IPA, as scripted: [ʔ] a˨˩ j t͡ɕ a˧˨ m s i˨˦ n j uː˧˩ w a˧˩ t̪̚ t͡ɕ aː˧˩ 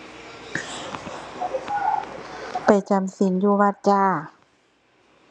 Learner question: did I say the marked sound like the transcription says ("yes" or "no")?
no